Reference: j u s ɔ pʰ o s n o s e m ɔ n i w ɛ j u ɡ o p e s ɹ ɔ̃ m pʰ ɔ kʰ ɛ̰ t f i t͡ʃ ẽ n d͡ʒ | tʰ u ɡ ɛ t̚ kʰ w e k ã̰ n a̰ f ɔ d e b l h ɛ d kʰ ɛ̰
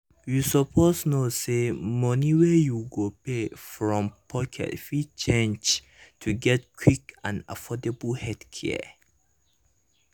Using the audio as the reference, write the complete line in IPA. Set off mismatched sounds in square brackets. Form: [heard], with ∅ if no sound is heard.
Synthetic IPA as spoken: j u s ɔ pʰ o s n o s e m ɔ n i w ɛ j u ɡ o p e [f] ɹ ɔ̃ m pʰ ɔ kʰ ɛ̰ t f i t͡ʃ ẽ n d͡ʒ | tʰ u ɡ ɛ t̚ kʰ w [i] k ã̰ n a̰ f ɔ d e b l h ɛ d kʰ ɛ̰